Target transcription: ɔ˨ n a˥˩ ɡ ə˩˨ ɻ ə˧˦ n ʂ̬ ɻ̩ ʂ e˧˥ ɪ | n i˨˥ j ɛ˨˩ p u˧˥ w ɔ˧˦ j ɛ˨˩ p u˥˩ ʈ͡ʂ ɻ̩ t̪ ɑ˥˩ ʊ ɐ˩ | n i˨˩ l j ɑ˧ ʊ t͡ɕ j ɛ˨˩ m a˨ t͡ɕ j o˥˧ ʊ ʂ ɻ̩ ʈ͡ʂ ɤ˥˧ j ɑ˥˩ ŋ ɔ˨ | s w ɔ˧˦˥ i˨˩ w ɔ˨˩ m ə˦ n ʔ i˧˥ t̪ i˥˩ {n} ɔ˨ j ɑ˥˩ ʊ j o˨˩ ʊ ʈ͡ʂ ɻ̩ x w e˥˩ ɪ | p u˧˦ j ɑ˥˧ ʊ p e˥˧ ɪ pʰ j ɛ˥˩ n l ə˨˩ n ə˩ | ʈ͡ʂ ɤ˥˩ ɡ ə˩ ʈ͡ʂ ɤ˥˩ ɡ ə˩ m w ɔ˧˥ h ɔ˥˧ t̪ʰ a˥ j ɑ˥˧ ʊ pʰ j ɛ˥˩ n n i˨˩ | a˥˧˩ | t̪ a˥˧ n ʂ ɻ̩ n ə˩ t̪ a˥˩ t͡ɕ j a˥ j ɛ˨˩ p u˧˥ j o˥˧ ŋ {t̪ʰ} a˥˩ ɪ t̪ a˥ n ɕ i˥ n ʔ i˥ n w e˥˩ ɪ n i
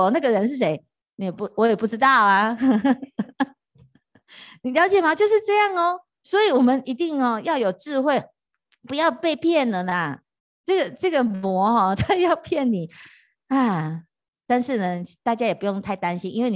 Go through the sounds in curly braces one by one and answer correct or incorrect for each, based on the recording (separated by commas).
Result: incorrect, correct